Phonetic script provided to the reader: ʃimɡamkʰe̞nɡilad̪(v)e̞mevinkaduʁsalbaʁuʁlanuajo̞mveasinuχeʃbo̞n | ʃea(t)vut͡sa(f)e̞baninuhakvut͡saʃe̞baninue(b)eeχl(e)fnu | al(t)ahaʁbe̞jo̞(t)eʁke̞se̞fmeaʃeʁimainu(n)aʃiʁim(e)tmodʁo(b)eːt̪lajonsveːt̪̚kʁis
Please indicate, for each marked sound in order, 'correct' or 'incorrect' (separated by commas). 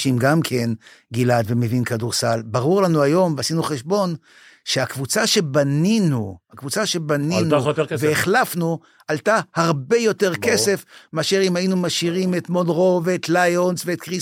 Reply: correct, incorrect, incorrect, incorrect, incorrect, correct, correct, incorrect, correct, incorrect